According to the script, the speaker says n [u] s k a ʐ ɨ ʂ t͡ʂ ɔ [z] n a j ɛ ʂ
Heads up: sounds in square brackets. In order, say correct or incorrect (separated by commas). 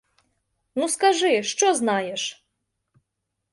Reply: correct, correct